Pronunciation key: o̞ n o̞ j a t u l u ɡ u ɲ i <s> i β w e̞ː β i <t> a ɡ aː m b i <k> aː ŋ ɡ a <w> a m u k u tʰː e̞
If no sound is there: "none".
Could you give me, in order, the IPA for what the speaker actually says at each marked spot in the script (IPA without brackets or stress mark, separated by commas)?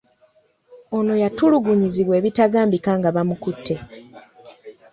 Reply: z, t, k, β